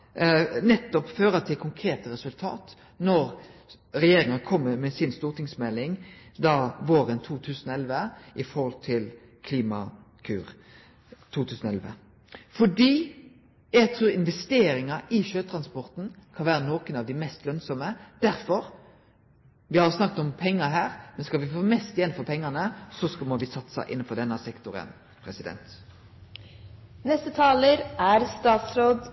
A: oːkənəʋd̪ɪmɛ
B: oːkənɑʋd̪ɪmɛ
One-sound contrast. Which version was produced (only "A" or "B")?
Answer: B